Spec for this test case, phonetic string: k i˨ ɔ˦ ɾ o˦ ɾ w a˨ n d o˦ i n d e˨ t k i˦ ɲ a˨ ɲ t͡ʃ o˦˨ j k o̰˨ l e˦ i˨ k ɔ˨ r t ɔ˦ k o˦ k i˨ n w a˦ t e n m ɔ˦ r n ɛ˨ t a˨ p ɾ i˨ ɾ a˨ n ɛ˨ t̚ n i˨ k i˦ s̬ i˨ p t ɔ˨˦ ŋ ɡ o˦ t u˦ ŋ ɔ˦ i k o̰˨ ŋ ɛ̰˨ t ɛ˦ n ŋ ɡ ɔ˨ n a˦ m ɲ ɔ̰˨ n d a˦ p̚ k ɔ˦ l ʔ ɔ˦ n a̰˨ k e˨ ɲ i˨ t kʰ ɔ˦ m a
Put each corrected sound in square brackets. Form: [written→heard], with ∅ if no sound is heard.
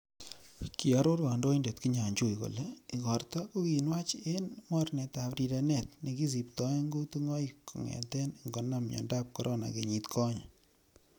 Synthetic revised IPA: k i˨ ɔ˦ ɾ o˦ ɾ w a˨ n d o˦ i n d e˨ t k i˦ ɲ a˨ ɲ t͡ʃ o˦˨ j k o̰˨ l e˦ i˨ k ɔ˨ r t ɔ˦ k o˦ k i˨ n w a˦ [t→t͡ʃ] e n m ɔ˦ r n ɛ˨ t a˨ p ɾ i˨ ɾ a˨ n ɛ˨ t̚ n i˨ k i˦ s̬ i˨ p t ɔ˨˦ ŋ ɡ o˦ t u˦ ŋ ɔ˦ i k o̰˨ ŋ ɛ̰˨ t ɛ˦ n ŋ ɡ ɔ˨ n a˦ m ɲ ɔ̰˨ n d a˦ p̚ k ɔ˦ [l→ɾ] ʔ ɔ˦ n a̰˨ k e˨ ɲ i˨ t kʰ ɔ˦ [m→ɲ] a